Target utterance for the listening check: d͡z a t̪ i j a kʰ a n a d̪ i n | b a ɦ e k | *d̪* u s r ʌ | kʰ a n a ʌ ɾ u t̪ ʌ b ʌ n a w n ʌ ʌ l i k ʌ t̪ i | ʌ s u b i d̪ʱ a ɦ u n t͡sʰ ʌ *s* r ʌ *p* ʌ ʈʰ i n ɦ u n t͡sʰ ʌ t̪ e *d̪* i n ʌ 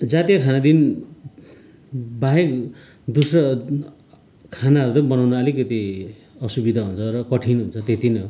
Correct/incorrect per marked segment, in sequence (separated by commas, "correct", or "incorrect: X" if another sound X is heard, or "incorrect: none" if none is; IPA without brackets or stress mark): correct, incorrect: none, incorrect: k, incorrect: t̪